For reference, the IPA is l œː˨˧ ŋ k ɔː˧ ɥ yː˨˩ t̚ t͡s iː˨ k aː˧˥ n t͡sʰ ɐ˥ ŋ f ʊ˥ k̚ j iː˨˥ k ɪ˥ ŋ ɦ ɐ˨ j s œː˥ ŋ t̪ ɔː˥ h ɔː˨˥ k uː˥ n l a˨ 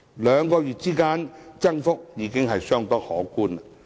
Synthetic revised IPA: l œː˨˧ ŋ k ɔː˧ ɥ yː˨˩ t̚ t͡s iː˥ k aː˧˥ n t͡s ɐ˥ ŋ f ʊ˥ k̚ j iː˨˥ k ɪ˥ ŋ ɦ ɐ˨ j s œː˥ ŋ t̪ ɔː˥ h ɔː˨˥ k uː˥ n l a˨

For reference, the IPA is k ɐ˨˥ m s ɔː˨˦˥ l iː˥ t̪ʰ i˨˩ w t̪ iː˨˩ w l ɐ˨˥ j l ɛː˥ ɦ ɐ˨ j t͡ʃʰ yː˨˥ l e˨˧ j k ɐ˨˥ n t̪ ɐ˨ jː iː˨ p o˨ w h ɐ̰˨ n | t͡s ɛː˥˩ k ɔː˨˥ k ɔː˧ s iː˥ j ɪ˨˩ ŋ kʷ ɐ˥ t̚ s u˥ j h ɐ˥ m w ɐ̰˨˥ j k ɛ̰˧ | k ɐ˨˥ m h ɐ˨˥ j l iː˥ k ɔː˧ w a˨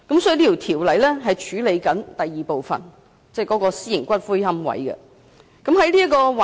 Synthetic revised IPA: k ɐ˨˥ m s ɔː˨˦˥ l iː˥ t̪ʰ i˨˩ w t̪ʰ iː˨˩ w l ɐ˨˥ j l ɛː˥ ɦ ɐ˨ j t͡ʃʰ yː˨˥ l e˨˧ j k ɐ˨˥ n t̪ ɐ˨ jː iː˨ p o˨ w f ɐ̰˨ n | t͡s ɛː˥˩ k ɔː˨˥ k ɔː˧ s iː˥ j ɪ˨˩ ŋ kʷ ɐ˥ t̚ f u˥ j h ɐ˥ m w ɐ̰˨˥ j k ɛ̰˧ | k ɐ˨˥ m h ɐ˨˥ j l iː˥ k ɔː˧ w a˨

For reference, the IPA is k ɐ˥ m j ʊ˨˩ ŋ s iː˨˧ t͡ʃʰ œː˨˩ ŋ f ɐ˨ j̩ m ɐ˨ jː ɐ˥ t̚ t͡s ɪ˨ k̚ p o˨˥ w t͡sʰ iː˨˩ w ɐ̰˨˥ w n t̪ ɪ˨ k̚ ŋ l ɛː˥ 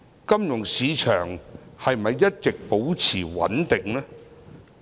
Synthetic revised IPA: k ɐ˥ m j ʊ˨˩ ŋ s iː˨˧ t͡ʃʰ œː˨˩ ŋ h ɐ˨ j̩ m ɐ˨ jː ɐ˥ t̚ t͡s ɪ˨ k̚ p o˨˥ w t͡sʰ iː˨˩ w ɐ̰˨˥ n t̪ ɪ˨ ŋ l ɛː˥

